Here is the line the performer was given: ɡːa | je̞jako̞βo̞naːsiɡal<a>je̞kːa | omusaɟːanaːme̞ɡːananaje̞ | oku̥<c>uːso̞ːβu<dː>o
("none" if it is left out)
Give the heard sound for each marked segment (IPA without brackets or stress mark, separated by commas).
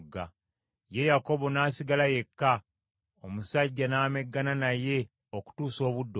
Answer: a, t, dː